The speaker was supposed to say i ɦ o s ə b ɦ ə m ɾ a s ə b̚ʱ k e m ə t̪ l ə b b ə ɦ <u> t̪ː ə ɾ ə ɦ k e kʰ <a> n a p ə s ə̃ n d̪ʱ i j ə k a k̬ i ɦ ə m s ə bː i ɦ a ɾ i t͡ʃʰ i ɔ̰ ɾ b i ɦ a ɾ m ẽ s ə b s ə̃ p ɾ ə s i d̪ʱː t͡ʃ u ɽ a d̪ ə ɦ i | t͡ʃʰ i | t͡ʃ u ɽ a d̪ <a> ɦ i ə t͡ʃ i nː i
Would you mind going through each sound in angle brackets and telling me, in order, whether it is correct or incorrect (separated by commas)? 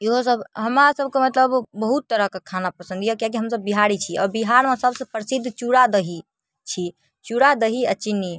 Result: correct, correct, incorrect